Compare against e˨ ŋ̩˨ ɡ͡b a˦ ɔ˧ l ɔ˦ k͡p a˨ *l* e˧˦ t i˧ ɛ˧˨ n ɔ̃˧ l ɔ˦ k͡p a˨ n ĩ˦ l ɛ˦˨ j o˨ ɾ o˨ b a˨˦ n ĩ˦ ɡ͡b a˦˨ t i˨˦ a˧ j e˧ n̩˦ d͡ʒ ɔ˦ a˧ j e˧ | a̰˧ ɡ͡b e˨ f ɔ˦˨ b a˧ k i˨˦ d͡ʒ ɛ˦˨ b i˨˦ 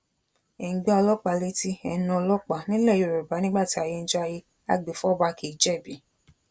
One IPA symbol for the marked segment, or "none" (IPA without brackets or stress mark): l